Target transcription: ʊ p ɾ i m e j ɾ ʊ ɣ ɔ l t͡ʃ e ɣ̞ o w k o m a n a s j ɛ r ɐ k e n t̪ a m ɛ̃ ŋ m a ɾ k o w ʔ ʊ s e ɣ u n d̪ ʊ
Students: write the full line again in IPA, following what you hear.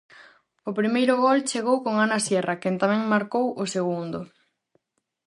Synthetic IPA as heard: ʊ p ɾ i m e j ɾ ʊ ɣ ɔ l t͡ʃ e ɣ̞ o w k o ŋ a n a s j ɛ r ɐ k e n t̪ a m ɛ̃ ŋ m a ɾ k o w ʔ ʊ s e ɣ u n d̪ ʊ

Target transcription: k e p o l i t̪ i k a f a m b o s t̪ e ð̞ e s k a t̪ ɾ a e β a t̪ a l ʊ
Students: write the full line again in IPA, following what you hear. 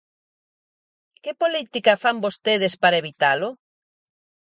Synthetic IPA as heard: k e p o l i t̪ i k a f a m b o s t̪ e ð̞ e s p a ɾ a e β i t̪ a l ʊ

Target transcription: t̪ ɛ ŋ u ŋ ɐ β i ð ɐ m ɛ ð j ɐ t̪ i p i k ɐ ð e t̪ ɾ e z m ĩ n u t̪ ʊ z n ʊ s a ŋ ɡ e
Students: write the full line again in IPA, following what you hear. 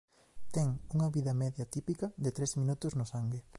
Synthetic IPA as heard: t̪ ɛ ŋ u ŋ ɐ β i ð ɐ m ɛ ð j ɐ t̪ i p i k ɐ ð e t̪ ɾ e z m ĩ n u t̪ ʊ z n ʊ s a ŋ ɡ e

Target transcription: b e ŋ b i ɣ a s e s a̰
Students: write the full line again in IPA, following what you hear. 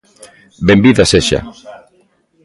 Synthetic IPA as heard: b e m b i ð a s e ʃ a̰

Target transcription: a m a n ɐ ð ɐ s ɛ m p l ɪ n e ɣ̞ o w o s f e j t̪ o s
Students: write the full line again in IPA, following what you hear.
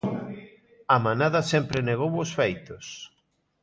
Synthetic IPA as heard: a m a n a ð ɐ s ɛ m p ɾ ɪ n e ɣ̞ o w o s f e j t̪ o s

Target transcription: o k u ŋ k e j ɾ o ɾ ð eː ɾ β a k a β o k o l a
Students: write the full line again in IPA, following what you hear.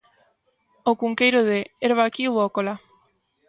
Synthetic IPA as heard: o k u ŋ k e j ɾ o ð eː ɾ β a k i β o k o l a

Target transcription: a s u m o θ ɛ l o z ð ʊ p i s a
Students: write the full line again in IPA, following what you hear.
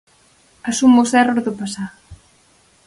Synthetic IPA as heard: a s u m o s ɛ r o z ð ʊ p a s a

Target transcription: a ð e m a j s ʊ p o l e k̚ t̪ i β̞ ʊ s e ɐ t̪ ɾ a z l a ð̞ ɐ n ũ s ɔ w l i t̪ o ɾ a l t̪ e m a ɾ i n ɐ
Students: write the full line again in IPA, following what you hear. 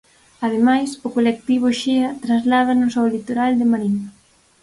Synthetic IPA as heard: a ð e m a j s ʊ k o l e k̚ t̪ i β̞ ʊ ʃ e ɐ t̪ ɾ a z l a ð̞ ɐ n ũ s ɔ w l i t̪ o ɾ a l d̪ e m a ɾ i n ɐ

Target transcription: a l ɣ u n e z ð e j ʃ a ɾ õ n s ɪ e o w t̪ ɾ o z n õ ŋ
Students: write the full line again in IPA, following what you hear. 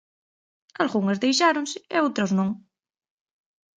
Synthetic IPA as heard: a l ɣ u ŋ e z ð e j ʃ a ɾ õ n s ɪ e o w t̪ ɾ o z n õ ŋ

